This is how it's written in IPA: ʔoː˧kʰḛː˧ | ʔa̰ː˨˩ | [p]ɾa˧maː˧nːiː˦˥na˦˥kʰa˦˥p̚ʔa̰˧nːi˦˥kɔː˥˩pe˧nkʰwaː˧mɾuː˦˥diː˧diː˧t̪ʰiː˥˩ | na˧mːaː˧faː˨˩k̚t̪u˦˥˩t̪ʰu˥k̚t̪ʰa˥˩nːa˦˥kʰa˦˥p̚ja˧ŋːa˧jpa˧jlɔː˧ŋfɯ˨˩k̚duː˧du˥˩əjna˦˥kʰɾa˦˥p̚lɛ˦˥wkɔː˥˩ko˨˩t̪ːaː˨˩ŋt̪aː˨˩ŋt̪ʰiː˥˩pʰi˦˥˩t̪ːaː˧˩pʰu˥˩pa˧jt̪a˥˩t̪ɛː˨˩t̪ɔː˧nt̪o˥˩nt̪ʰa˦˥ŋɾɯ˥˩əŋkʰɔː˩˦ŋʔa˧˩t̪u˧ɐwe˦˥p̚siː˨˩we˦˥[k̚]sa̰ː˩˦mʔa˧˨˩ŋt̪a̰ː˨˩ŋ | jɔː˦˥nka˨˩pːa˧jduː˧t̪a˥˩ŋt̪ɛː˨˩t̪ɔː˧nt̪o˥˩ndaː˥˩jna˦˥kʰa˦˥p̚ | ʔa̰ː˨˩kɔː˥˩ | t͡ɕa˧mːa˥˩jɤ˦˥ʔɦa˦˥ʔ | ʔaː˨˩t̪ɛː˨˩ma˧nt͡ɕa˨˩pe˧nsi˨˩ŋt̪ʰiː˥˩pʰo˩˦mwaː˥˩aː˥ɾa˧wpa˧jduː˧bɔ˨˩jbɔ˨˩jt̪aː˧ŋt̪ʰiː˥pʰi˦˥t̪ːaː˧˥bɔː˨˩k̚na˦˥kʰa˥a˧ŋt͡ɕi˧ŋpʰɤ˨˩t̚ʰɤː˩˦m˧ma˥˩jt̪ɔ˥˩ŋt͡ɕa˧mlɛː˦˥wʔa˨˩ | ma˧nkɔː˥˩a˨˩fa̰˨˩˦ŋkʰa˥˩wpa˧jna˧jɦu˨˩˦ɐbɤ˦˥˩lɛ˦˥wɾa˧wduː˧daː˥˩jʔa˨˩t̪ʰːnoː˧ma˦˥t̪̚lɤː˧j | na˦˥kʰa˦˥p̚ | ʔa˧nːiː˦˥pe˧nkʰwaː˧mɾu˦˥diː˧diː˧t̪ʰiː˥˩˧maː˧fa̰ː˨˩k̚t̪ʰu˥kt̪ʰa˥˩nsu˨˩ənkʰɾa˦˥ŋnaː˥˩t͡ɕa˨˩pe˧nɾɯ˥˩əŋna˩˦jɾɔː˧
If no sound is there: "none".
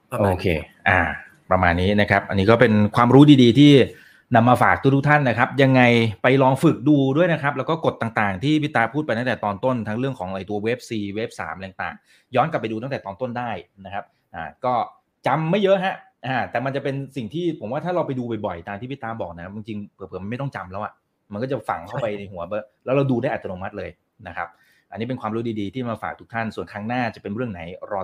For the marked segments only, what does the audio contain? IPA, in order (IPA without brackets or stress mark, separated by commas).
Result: p, p̚